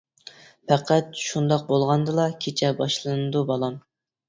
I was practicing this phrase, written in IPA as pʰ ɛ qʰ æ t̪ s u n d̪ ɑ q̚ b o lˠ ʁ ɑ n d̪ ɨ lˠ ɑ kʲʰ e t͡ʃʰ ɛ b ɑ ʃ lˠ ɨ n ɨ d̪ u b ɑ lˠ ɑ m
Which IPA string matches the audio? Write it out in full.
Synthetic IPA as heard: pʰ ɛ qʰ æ t̪ ʃ u n d̪ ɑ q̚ b o lˠ ʁ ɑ n d̪ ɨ lˠ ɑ kʲʰ e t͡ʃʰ ɛ b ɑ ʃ lˠ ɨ n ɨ d̪ u b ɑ lˠ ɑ m